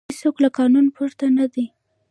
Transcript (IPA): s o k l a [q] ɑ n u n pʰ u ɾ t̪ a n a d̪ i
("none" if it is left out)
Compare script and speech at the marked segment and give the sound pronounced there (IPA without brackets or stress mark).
k